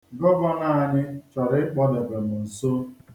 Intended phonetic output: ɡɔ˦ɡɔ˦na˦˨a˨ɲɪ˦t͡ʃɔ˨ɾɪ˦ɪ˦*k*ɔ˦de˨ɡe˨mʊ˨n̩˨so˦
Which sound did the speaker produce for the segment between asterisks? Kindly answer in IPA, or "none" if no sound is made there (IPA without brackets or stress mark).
k͡p